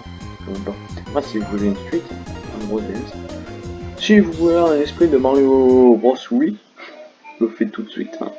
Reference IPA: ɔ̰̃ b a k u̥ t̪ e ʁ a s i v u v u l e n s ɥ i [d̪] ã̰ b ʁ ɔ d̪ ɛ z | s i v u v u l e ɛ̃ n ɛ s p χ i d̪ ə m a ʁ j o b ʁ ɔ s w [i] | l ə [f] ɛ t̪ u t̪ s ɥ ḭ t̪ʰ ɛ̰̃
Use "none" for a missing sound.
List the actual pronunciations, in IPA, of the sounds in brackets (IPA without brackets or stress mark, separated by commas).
t̪, i, f